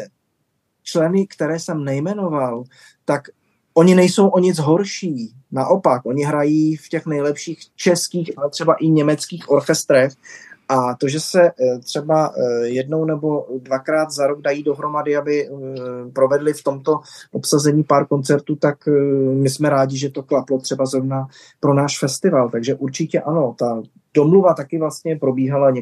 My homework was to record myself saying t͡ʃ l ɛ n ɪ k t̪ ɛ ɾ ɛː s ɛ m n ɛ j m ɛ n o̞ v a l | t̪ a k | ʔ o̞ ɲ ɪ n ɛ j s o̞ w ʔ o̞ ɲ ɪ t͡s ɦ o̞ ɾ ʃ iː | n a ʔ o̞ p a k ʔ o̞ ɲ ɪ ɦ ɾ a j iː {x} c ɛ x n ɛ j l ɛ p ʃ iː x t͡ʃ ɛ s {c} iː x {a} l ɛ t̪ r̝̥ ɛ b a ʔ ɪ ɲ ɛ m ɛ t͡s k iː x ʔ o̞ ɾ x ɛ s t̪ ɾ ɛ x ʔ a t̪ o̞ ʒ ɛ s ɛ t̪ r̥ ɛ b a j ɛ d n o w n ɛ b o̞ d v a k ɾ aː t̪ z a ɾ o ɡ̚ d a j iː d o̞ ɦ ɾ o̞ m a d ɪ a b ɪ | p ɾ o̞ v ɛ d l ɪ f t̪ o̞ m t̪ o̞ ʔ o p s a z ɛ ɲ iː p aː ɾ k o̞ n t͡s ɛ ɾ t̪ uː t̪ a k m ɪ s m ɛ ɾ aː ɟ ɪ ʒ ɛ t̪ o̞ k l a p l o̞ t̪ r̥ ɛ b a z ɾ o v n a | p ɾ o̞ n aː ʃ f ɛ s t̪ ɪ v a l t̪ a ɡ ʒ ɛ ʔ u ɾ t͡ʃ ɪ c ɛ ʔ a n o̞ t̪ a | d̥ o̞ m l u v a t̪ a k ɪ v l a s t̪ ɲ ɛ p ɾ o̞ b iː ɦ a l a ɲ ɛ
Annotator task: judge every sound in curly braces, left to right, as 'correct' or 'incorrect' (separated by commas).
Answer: incorrect, incorrect, correct